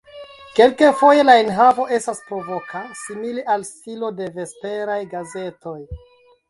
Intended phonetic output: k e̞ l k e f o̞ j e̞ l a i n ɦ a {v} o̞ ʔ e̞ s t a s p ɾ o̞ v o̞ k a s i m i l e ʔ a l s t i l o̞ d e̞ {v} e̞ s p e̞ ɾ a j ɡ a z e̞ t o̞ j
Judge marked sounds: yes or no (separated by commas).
yes, yes